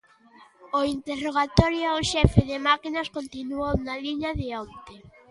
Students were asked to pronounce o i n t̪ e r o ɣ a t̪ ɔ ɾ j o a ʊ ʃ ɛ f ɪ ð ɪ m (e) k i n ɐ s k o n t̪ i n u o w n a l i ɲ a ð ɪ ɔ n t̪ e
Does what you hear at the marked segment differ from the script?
yes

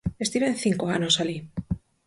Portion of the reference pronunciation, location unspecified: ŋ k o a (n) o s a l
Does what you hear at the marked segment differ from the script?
no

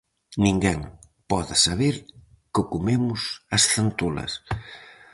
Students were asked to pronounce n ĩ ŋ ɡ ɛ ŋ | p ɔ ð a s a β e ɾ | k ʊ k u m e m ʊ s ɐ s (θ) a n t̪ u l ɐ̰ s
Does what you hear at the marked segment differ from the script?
no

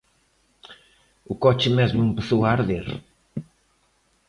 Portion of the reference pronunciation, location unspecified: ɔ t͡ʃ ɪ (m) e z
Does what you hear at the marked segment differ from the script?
no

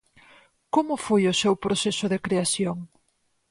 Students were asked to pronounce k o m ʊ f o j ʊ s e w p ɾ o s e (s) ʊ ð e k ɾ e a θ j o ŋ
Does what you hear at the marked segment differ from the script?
no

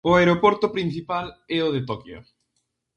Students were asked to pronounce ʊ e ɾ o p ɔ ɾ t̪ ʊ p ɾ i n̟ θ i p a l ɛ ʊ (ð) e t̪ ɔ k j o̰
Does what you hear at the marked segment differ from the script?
no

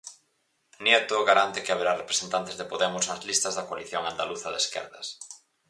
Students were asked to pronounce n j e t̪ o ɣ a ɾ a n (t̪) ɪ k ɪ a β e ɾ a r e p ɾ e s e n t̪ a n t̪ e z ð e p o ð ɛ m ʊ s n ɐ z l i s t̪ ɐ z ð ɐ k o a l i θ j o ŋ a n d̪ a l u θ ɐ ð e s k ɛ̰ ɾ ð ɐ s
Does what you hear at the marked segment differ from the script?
no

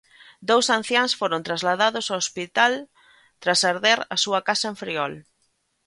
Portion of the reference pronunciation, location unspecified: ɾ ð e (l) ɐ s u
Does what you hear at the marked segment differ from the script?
yes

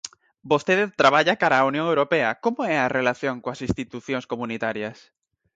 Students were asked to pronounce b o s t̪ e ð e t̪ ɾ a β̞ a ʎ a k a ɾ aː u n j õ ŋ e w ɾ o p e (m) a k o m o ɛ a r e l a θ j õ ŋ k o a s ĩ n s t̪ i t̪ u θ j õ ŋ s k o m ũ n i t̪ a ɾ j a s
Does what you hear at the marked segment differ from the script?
yes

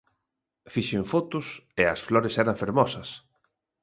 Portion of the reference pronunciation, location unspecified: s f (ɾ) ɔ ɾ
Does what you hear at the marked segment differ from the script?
yes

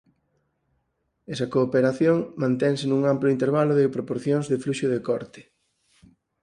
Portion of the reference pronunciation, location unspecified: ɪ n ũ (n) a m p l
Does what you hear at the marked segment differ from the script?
yes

